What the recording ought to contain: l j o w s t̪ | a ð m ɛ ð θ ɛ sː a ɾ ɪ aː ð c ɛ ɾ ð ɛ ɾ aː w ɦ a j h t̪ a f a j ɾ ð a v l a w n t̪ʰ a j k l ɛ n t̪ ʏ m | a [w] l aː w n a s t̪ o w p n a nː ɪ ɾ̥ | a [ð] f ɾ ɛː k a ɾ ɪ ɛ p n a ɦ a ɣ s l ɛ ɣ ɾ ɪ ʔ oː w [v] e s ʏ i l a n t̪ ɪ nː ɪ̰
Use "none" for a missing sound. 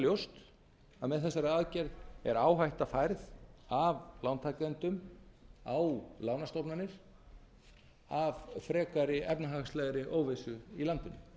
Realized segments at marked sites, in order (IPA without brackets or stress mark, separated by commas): w, v, v